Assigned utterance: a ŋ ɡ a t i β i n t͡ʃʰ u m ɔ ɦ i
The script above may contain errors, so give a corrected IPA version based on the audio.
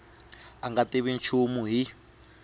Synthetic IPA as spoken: a ŋ ɡ a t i β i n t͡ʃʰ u m u ɦ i

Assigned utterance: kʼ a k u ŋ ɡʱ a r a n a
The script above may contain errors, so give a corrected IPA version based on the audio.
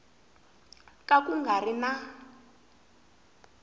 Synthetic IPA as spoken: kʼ a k u ŋ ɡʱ a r i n a

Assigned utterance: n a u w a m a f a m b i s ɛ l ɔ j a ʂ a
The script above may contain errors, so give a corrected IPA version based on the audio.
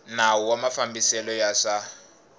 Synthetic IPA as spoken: n a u w a m a f a m b i s ɛ l ɔ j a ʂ a

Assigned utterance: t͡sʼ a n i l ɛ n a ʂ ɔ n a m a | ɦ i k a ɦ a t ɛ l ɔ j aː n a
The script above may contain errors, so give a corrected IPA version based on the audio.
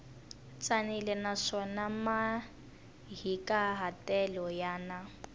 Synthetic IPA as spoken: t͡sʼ a n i l ɛ n a ʂ ɔ n a m a | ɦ i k a ɦ a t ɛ l ɔ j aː n a

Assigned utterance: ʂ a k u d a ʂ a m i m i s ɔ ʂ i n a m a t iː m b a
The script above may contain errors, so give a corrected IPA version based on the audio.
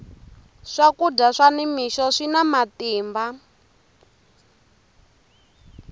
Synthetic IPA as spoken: ʂ a k u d a ʂ a n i m i ʃ ɔ ʂ i n a m a t iː m b a

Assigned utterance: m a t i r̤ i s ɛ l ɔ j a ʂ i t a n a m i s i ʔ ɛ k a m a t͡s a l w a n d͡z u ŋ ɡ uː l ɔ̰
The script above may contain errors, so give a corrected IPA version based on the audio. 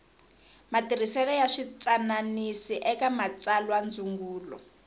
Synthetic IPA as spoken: m a t i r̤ i s ɛ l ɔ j a ʂ i t͡s a n a n i s i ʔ ɛ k a m a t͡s a l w a n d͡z u ŋ ɡ uː l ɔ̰

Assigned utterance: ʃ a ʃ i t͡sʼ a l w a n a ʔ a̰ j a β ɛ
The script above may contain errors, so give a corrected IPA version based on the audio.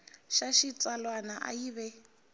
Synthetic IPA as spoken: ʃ a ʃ i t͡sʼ a l w a n a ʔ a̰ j i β ɛ

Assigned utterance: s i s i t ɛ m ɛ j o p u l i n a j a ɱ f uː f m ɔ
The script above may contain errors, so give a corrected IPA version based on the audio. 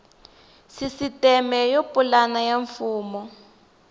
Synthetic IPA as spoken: s i s i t ɛ m ɛ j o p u l a n a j a ɱ f uː m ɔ

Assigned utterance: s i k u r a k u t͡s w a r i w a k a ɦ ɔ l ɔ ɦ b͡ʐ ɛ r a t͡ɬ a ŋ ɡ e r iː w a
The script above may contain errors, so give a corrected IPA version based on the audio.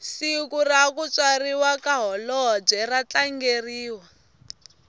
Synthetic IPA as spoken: s i k u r a k u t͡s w a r i w a k a ɦ ɔ l ɔ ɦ b͡ʐ ɛ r a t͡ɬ a ŋ ɡ e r iː w a

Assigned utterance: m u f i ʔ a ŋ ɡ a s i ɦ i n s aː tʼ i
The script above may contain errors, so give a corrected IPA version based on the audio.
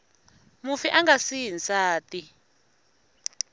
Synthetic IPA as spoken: m u f i ʔ a ŋ ɡ a s i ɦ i n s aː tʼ i

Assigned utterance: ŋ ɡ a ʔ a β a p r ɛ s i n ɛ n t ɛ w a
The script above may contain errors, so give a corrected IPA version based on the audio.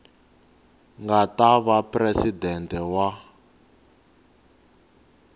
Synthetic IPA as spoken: ŋ ɡ a t a β a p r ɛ s i d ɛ n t ɛ w a

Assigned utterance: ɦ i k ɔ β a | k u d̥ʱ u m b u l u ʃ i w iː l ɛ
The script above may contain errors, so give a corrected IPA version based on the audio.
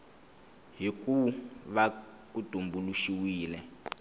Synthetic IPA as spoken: ɦ i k u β a | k u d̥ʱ u m b u l u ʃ i w iː l ɛ

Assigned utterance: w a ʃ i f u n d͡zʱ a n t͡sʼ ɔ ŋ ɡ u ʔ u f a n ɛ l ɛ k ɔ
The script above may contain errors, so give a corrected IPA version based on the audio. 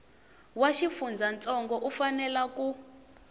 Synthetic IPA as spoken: w a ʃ i f u n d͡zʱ a n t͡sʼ ɔ ŋ ɡ ɔ ʔ u f a n ɛ l a k u

